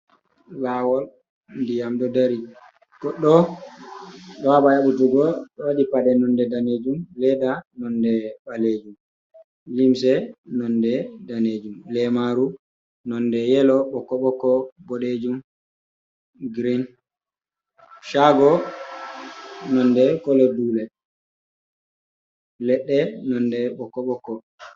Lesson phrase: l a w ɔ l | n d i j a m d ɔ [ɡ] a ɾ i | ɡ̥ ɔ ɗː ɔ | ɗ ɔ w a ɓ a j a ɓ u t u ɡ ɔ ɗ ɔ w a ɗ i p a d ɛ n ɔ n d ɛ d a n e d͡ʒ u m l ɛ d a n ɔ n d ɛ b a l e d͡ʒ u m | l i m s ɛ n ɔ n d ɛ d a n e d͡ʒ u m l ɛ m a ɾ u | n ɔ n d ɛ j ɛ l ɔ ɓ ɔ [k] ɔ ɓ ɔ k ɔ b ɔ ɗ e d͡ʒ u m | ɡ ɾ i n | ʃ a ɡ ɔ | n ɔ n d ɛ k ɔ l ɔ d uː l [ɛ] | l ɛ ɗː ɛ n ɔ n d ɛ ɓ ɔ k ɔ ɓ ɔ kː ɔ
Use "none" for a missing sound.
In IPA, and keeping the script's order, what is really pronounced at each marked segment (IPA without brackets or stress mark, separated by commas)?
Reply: d, k, ɛ